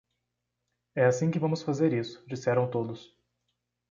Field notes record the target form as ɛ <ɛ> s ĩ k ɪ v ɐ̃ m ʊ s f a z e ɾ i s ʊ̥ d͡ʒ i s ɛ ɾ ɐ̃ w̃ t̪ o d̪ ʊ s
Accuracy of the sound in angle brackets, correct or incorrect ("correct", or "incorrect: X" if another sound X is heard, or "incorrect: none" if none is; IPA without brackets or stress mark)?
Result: incorrect: a